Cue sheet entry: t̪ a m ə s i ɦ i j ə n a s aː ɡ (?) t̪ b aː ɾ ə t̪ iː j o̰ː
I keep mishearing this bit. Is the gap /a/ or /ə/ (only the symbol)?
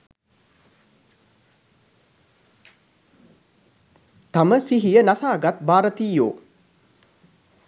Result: a